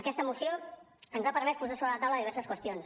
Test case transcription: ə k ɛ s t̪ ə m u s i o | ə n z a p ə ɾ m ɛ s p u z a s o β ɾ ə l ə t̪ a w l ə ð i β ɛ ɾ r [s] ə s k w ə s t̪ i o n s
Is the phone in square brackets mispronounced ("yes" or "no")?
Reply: no